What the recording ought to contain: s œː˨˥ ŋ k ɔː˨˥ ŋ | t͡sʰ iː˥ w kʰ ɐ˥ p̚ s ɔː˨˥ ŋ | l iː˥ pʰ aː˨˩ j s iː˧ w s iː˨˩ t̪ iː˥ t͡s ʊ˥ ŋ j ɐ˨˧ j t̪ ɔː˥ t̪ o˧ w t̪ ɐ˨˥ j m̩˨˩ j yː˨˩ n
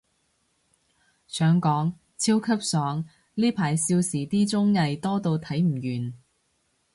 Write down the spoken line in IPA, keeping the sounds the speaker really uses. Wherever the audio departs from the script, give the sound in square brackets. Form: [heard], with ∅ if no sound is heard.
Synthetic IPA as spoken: s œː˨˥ ŋ k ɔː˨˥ ŋ | t͡sʰ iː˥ w kʰ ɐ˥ p̚ s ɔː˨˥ ŋ | l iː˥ pʰ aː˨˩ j s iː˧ w s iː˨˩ t̪ iː˥ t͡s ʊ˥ ŋ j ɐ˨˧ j t̪ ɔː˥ t̪ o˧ w [t̪ʰ] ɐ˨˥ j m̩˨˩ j yː˨˩ n